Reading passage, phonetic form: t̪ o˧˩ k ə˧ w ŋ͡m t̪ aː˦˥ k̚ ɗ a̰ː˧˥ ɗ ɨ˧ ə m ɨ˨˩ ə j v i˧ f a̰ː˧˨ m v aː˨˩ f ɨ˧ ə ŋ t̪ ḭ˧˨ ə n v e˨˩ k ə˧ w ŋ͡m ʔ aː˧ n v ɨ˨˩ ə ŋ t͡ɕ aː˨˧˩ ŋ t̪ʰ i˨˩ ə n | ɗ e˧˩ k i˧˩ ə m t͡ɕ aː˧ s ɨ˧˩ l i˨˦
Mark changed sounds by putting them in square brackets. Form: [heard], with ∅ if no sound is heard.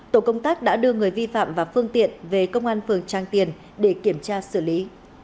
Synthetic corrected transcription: t̪ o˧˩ k ə˧ w ŋ͡m t̪ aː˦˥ k̚ ɗ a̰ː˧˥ ɗ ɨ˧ ə [ŋ] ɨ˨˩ ə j v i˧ f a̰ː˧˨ m v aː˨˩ f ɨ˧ ə ŋ t̪ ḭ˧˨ ə n v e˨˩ k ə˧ w ŋ͡m ʔ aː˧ n [f] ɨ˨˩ ə ŋ t͡ɕ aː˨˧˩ ŋ [t̪] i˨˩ ə n | ɗ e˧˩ k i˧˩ ə m t͡ɕ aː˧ s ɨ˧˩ l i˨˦